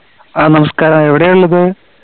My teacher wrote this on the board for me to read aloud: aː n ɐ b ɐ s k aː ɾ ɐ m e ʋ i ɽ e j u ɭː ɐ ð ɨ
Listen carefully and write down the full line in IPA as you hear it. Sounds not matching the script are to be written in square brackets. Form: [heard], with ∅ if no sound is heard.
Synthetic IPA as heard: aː n ɐ [m] ɐ s k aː ɾ ɐ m e ʋ i ɽ e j u ɭː ɐ ð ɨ